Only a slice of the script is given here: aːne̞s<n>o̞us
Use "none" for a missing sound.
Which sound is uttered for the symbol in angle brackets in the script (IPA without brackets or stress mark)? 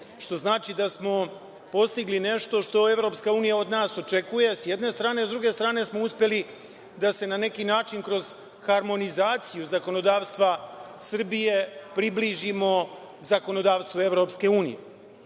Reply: m